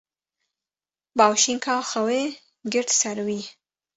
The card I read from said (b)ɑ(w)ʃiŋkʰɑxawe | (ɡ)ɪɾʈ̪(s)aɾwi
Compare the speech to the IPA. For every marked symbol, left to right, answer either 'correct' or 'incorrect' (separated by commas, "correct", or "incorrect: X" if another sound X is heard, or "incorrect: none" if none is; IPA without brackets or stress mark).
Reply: correct, correct, correct, correct